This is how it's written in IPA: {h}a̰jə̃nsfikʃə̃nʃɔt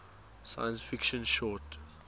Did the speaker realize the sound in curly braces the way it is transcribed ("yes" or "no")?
no